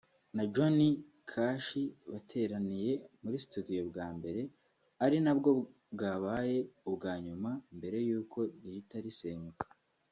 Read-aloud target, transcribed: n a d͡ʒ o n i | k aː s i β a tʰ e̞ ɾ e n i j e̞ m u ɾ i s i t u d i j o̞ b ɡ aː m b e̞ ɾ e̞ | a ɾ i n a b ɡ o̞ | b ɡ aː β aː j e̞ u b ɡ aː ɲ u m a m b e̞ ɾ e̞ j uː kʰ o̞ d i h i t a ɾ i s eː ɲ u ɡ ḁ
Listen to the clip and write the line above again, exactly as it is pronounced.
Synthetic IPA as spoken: n a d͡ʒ o n i | kʰ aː ʃ i β a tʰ e̞ ɾ a n i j e̞ m u ɾ i s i t u d i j o̞ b ɡ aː m b e̞ ɾ e̞ | a ɾ i n a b ɡ o̞ | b ɡ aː β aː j e̞ u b ɡ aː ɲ u m a m b e̞ ɾ e̞ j uː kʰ o̞ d i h i t a ɾ i s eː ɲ u k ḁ